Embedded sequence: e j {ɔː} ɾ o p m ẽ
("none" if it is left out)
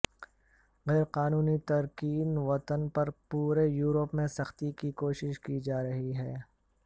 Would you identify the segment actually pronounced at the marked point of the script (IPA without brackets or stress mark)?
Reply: uː